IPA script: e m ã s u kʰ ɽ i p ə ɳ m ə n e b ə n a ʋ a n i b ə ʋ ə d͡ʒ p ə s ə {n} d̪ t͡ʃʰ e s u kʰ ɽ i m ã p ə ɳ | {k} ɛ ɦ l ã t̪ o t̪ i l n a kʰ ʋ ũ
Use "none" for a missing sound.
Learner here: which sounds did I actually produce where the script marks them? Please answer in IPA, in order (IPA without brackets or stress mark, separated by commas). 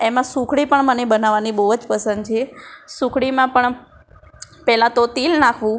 n, p